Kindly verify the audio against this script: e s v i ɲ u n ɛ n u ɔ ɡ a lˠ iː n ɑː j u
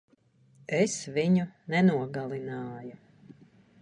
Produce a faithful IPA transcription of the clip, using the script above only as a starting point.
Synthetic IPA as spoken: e s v i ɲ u n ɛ n u ɔ ɡ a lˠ i n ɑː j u